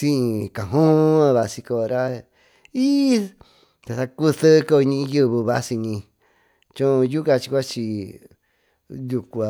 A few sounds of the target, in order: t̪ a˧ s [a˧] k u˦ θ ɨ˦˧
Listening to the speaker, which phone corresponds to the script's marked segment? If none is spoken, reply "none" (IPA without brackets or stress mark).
a˧